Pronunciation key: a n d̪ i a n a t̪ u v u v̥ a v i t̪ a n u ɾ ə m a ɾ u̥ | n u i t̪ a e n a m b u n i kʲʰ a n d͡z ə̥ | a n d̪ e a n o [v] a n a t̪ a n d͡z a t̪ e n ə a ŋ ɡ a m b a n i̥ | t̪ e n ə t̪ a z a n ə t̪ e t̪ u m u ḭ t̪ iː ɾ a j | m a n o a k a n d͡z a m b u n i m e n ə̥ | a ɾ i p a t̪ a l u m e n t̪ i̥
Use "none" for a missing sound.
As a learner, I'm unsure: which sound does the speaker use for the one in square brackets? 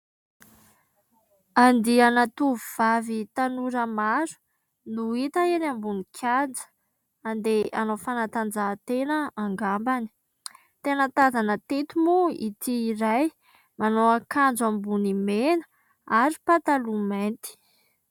f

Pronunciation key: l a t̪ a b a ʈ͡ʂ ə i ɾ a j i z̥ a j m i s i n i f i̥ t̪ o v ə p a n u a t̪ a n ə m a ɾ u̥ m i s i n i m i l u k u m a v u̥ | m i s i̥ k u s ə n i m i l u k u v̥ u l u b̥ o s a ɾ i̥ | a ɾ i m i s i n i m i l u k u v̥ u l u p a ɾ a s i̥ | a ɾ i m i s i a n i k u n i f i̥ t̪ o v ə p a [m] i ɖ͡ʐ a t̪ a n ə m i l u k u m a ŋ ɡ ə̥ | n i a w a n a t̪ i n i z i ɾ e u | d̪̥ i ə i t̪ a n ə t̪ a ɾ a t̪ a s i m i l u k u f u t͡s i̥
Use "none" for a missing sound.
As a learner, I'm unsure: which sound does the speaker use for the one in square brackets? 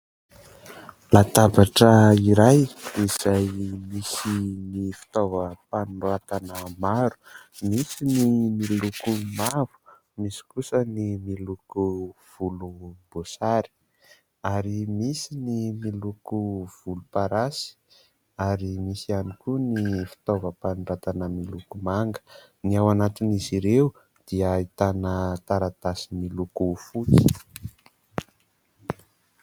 n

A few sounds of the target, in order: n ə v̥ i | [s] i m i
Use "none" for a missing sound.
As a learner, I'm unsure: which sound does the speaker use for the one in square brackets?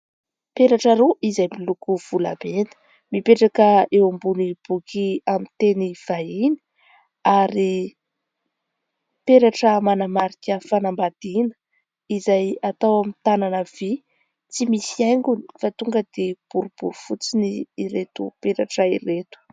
t͡s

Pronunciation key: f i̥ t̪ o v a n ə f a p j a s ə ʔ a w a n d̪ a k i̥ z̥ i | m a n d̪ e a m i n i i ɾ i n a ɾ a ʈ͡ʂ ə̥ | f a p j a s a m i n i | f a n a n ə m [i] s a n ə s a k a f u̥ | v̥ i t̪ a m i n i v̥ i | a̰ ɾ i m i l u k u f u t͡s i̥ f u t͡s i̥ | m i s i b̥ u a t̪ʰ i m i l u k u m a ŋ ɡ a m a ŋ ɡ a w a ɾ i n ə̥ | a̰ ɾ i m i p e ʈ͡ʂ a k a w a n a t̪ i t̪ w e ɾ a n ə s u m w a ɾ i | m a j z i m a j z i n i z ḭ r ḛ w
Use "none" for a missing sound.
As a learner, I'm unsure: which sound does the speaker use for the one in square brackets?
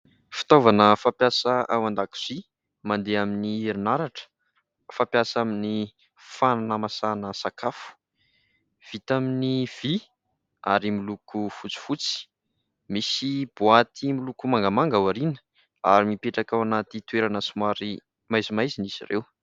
a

